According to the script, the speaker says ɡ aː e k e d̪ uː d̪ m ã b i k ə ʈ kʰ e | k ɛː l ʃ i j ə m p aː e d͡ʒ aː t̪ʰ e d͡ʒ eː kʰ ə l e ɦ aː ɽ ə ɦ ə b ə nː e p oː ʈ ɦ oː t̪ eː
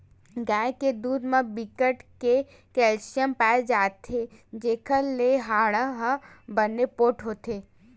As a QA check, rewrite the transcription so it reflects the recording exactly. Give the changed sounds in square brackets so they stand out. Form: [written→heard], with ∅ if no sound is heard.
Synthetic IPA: ɡ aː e k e d̪ uː d̪ m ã b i k ə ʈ [kʰ→k] e | k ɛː l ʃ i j ə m p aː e d͡ʒ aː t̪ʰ e d͡ʒ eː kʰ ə l e ɦ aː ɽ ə ɦ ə b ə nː e p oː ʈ ɦ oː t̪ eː